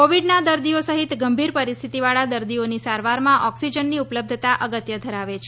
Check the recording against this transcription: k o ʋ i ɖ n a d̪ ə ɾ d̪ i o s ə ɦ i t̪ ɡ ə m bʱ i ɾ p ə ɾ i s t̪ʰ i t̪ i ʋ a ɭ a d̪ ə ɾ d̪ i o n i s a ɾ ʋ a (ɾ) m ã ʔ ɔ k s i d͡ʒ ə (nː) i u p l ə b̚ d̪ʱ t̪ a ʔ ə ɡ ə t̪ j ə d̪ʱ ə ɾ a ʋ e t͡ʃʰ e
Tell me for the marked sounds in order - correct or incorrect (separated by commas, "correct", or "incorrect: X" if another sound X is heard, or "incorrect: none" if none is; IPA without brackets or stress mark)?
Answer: correct, correct